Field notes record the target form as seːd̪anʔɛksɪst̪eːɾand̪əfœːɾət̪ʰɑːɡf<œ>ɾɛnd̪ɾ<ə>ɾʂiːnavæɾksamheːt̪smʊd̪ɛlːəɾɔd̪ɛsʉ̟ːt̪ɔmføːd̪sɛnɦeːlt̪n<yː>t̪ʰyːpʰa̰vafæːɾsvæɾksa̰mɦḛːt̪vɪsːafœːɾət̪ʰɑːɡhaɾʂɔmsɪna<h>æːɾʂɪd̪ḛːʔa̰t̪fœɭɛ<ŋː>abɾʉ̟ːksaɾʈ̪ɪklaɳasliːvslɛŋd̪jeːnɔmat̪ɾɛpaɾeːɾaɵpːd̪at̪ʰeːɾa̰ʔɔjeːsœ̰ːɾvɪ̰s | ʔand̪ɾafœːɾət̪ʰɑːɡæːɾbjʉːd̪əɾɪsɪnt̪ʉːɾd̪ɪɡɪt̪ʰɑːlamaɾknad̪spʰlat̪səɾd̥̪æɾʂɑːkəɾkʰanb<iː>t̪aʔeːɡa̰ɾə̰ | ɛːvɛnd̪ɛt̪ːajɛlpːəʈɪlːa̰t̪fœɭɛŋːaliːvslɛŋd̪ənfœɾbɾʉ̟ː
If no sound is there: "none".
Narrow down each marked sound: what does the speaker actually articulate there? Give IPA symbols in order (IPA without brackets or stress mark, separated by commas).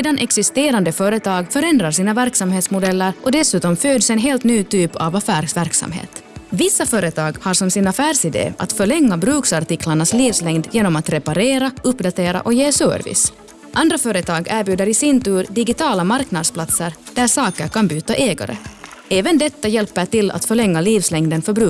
œ, a, yː, f, ŋː, yː